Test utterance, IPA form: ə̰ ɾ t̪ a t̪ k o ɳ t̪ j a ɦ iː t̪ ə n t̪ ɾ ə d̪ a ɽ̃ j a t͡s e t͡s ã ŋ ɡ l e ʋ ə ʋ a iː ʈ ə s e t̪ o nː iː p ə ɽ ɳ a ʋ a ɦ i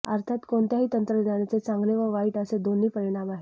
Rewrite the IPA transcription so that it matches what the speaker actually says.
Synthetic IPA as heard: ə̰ ɾ t̪ʰ a t̪ k o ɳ t̪ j a ɦ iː t̪ ə n t̪ ɾ ə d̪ a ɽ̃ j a t͡s e t͡s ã ŋ ɡ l e ʋ ə ʋ a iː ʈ ə s e d̪ o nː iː p ə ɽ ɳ a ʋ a ɦ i